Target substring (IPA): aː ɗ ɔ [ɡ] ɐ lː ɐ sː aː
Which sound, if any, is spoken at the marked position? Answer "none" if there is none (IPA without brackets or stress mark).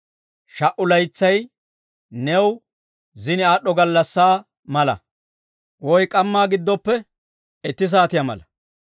ɡ